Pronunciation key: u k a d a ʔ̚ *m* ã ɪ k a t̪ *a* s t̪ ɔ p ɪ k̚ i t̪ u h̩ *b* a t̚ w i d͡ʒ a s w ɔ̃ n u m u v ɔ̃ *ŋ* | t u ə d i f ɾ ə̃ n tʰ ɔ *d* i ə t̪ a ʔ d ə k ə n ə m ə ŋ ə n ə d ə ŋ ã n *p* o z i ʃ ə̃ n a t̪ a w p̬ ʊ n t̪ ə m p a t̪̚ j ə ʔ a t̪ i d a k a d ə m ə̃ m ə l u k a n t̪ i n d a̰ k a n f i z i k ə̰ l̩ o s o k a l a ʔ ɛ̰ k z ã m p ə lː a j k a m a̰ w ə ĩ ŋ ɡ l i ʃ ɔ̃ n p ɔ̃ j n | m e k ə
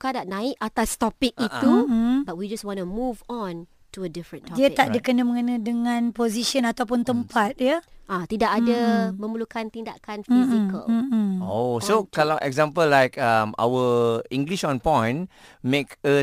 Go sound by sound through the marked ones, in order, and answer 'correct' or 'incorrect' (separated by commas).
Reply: incorrect, correct, correct, incorrect, correct, correct